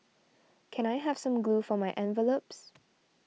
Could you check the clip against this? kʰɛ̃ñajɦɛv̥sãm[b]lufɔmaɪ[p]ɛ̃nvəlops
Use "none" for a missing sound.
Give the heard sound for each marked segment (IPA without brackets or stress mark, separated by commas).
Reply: ɡ, ʔ